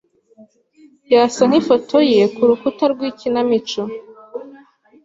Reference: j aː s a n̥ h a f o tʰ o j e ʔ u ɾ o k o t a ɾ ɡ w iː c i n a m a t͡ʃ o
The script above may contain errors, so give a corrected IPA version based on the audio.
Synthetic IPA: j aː s a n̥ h i f o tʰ o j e k u ɾ u k u t a ɾ ɡ w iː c i n a m i t͡ʃ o